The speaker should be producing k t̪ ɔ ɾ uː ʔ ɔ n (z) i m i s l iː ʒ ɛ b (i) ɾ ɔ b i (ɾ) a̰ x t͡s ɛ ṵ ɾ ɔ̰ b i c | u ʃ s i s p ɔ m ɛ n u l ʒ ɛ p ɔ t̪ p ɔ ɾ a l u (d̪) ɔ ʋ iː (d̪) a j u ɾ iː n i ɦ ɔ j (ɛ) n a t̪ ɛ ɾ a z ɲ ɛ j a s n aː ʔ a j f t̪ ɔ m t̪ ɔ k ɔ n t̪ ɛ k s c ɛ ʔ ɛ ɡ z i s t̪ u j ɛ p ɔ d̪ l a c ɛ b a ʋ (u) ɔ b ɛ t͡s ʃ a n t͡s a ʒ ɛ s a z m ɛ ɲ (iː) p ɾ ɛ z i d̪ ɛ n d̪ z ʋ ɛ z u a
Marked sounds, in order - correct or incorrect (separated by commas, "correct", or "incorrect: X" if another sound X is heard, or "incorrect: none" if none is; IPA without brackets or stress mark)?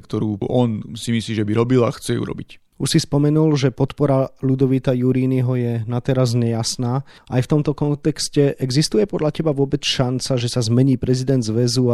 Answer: incorrect: s, correct, incorrect: l, correct, incorrect: t̪, correct, incorrect: ʊ, correct